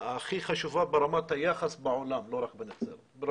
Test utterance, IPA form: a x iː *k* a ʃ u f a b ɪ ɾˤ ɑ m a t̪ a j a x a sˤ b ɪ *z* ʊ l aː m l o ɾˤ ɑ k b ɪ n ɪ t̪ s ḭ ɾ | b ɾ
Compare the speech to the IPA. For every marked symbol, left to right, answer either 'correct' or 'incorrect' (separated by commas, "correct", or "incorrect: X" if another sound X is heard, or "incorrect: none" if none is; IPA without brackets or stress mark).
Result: incorrect: x, incorrect: ʕ